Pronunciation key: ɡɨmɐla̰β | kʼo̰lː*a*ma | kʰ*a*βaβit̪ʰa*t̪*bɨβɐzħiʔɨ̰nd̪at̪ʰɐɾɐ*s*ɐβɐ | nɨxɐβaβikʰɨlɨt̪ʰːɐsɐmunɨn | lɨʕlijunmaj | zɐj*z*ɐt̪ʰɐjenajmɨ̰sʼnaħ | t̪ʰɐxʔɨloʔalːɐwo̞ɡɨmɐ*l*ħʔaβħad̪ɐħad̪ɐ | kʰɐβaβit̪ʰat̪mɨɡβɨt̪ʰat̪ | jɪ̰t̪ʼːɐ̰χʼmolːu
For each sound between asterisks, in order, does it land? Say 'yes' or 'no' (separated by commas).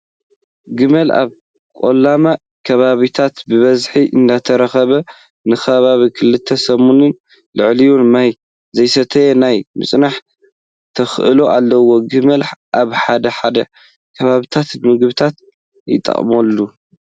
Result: yes, no, yes, no, no, yes